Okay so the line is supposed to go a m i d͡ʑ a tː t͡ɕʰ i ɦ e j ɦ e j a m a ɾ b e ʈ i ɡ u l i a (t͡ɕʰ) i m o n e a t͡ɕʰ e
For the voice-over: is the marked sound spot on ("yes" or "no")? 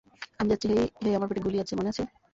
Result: yes